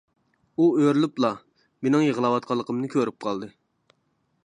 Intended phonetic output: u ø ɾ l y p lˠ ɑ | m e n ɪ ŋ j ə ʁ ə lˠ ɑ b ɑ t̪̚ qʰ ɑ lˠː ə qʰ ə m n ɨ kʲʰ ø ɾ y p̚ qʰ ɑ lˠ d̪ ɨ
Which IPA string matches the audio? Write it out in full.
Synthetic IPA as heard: u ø ɾ l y p lˠ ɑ | m e n ɪ ŋ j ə ʁ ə lˠ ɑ w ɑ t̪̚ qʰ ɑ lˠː ə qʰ ə m n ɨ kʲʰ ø ɾ y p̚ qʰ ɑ lˠ d̪ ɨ